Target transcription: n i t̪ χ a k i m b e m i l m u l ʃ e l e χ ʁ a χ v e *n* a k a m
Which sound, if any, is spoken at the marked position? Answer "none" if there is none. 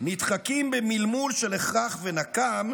n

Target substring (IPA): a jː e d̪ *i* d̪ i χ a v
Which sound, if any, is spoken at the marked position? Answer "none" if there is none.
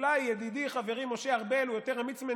i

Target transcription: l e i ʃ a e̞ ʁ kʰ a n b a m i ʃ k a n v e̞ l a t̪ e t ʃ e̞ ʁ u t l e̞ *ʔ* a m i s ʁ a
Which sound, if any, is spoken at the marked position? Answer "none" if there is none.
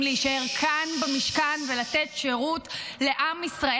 ʔ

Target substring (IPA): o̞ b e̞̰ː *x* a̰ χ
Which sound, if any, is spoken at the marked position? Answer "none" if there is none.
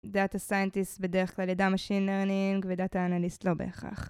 χ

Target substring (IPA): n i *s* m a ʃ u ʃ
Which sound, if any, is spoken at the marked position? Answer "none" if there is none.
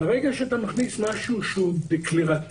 s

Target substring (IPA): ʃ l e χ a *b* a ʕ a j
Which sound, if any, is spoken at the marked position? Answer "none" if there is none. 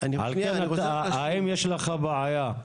b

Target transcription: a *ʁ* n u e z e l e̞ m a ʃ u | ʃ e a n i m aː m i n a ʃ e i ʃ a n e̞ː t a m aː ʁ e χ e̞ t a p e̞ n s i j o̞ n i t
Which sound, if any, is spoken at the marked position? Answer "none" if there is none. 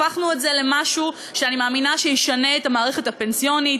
χ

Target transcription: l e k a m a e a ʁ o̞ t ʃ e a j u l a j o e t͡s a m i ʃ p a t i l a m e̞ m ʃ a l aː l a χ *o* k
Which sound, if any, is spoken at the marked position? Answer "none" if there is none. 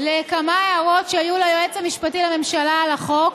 o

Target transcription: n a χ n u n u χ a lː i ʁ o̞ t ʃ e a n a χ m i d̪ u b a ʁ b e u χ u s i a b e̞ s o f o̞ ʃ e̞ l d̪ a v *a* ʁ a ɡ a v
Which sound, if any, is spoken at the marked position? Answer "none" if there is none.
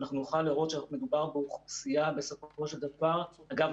a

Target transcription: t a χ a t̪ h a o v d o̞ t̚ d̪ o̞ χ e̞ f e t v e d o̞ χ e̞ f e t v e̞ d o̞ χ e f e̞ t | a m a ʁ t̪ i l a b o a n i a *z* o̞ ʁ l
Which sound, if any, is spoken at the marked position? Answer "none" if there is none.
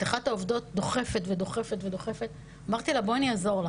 z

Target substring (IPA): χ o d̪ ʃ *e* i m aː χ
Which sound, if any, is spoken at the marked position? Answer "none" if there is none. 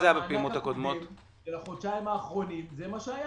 a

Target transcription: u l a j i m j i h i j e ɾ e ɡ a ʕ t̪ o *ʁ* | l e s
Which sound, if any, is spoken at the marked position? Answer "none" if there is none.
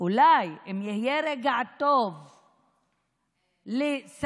v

